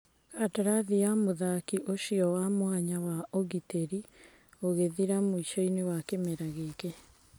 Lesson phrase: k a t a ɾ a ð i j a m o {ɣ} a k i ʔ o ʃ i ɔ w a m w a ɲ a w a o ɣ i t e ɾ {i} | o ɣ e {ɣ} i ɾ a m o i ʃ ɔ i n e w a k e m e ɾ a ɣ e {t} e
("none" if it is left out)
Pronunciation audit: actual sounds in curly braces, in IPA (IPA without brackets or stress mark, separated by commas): ð, i, ð, k